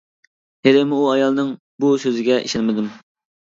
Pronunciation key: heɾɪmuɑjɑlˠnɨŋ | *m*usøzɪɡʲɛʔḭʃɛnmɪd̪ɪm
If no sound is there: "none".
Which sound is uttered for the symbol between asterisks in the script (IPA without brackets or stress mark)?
b